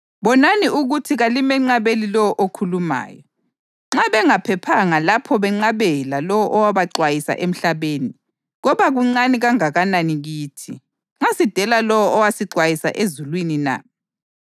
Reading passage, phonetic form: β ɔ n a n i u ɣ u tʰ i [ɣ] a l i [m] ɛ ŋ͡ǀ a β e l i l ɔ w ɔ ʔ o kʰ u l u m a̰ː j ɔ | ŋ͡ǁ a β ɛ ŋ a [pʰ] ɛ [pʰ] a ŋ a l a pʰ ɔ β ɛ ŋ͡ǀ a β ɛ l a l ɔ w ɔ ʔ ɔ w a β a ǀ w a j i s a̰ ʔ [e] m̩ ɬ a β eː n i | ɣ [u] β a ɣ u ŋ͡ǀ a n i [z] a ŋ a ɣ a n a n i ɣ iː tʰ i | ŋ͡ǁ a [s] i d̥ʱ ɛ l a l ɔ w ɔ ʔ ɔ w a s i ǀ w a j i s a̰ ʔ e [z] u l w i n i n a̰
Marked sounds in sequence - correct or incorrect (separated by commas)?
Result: correct, correct, correct, correct, correct, incorrect, incorrect, correct, correct